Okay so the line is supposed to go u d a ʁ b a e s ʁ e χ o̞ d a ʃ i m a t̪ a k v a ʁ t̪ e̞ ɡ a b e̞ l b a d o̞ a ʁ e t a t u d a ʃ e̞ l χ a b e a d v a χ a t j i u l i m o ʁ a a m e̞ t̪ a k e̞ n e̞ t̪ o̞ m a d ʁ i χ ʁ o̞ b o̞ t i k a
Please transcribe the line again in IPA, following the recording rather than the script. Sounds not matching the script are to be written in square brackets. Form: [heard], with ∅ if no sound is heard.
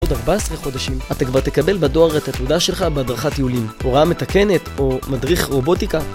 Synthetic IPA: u d a ʁ b a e s ʁ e χ o̞ d a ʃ i m a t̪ a k v a ʁ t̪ e̞ [k] a b e̞ l b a d o̞ a ʁ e t a t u d a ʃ e̞ l χ a b e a d [ʁ] a χ a t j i u l i m o ʁ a a m e̞ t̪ a k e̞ n e̞ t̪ o̞ m a d ʁ i χ ʁ o̞ b o̞ t i k a